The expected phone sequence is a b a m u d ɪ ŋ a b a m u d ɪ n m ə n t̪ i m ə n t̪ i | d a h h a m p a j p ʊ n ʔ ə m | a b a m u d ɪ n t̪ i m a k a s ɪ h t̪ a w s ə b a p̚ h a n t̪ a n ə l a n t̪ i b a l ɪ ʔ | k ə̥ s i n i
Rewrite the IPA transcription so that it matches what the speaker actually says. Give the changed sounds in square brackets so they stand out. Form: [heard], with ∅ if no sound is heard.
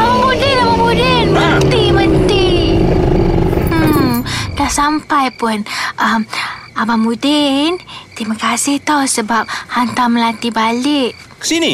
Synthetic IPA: a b a m u d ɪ [n] a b a m u d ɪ n m ə n t̪ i m ə n t̪ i | d a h [s] a m p a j p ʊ n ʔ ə m | a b a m u d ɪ n t̪ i m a k a s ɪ h t̪ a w s ə b a p̚ h a n t̪ a [m] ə l a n t̪ i b a l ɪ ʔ | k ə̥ s i n i